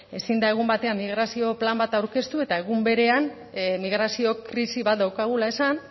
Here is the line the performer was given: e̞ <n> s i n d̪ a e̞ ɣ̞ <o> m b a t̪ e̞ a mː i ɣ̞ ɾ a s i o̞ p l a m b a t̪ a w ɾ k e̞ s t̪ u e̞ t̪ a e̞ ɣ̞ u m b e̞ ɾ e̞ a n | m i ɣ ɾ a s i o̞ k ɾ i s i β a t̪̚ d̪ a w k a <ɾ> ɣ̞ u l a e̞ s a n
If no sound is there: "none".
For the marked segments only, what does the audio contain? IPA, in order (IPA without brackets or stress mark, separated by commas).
none, u, none